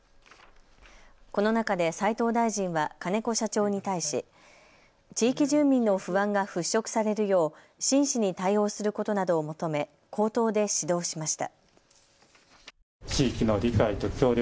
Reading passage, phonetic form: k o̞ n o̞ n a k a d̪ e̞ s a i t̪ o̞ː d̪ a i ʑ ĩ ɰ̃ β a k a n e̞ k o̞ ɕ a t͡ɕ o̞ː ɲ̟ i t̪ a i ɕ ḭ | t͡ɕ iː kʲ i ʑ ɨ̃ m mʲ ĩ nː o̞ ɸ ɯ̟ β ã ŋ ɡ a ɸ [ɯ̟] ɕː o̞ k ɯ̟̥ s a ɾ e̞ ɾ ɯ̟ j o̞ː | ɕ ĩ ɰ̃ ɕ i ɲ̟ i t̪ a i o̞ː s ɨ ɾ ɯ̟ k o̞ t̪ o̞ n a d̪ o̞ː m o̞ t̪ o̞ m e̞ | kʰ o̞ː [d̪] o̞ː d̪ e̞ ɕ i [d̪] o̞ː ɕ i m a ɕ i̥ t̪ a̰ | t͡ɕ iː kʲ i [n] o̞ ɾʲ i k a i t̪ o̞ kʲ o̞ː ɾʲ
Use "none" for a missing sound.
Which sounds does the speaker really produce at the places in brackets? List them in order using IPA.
ɯ̟, t̪, d̪, n

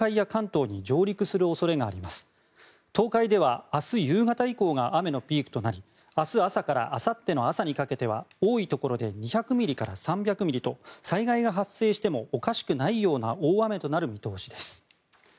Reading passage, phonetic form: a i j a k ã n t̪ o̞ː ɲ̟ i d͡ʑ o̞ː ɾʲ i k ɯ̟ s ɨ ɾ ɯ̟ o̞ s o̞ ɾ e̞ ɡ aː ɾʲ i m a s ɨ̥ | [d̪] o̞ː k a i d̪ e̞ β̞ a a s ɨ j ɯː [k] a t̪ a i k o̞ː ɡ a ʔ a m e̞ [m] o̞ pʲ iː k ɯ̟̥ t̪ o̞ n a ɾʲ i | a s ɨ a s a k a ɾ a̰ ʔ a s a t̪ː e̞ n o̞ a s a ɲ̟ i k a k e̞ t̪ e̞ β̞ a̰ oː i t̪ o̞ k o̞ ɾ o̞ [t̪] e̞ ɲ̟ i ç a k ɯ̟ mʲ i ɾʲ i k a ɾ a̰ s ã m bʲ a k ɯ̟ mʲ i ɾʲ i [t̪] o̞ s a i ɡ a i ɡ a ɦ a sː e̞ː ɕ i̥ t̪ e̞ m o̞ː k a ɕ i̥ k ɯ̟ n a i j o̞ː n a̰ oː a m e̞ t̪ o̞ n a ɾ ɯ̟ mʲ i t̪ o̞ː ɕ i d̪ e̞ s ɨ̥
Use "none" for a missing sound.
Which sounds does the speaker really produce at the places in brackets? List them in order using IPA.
t̪, ɡ, n, d̪, t̪

